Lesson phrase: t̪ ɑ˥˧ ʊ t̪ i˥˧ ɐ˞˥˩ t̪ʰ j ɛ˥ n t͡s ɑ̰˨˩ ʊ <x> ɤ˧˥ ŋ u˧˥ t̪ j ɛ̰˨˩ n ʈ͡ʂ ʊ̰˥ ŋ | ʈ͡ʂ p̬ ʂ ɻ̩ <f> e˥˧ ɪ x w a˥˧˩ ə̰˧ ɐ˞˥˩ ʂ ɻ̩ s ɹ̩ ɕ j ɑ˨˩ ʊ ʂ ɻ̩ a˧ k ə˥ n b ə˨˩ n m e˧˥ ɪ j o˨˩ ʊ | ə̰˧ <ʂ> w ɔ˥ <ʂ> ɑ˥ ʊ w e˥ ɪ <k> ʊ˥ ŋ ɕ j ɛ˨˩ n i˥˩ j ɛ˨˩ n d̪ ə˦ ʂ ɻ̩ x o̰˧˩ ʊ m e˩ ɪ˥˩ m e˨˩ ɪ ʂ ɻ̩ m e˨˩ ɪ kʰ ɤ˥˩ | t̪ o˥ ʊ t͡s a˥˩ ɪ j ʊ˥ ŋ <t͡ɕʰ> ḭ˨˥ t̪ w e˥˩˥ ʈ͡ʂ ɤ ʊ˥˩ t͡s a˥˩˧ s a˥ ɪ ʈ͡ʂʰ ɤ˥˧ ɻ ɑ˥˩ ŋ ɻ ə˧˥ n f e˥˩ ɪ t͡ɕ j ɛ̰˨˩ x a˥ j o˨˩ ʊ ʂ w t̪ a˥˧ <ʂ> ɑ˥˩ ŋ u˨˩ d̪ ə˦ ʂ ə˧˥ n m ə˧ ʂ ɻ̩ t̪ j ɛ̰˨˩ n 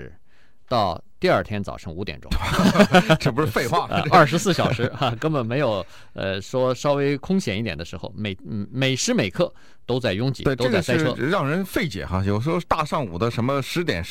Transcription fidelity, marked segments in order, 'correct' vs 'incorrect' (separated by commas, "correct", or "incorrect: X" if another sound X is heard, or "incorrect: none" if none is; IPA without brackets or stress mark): incorrect: ʂ, correct, correct, correct, incorrect: kʰ, incorrect: t͡ɕ, correct